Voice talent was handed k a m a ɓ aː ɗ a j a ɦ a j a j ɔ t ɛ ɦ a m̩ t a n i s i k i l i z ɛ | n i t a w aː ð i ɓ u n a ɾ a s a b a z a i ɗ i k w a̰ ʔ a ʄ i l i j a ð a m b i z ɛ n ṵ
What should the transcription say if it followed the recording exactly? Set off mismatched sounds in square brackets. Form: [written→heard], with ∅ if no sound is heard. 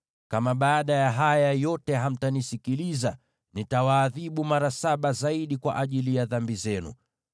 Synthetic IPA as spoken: k a m a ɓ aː ɗ a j a ɦ a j a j ɔ t ɛ ɦ a m̩ t a n i s i k i l i z [ɛ→a] | n i t a w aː ð i ɓ u [n→m] a ɾ a s a [b→ɓ] a z a i ɗ i k w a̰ ʔ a ʄ i l i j a ð a m b i z ɛ n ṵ